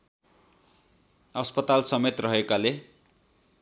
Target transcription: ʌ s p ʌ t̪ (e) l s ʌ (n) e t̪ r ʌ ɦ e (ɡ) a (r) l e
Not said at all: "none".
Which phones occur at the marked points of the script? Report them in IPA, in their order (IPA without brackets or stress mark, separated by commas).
a, m, k, none